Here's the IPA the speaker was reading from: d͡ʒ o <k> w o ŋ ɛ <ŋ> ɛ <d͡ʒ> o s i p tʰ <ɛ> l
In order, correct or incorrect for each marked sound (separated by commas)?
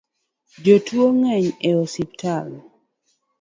incorrect, incorrect, incorrect, incorrect